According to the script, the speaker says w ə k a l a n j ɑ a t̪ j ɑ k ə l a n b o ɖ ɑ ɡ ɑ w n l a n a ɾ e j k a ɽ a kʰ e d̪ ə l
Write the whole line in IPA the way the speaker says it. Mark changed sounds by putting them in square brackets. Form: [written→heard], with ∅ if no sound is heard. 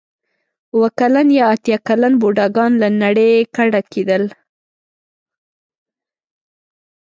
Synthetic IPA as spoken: w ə k a l a n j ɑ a t̪ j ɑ k [ə→a] l a n b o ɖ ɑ ɡ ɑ [w→∅] n l a n a [ɾ→ɽ] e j k a ɽ a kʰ e d̪ ə l